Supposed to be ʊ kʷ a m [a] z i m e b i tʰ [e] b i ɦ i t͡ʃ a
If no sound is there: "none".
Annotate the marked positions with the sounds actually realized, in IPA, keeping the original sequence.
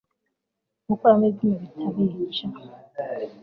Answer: e, a

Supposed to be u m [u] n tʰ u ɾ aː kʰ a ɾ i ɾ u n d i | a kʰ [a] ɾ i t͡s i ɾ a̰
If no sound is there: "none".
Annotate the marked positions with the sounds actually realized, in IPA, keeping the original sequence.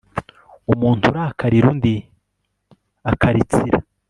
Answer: uː, a

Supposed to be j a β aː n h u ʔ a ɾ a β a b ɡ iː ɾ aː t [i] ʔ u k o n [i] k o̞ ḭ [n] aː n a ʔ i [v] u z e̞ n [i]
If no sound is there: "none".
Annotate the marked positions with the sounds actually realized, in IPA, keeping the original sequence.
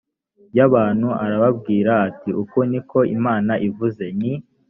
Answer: i, i, m, v, i

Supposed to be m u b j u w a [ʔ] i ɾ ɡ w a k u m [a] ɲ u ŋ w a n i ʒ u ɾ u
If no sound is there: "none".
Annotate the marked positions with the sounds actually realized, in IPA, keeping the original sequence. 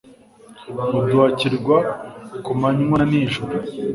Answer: c, a

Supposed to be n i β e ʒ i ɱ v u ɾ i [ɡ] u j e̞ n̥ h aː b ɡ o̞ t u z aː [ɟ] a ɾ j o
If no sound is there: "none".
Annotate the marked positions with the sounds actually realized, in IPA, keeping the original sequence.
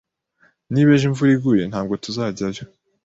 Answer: ɡ, ɟ

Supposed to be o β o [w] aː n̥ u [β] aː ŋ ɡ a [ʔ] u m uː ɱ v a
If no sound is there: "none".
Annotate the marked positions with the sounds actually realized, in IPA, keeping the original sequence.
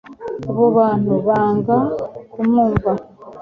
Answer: β, β, k

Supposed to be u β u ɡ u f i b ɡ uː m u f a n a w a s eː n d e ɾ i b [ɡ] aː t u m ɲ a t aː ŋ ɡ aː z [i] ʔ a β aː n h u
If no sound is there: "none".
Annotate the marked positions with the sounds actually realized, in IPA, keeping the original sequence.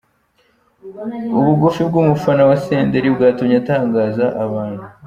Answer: ɡ, a

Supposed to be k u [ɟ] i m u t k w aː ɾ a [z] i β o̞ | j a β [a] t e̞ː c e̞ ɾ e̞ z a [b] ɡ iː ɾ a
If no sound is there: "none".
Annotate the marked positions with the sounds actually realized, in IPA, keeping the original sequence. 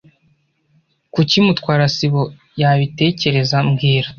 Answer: c, s, i, m

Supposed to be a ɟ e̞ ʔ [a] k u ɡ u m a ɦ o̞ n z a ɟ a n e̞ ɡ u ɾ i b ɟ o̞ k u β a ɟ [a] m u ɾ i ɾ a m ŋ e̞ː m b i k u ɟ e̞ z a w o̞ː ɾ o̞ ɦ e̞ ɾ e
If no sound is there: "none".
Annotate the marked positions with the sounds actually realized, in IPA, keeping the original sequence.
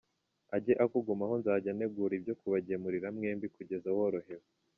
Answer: a, e

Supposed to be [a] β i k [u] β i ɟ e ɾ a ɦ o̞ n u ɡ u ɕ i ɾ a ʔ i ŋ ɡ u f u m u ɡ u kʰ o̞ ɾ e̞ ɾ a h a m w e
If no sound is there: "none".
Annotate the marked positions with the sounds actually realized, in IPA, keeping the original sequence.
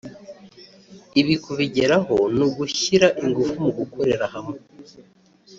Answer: i, u

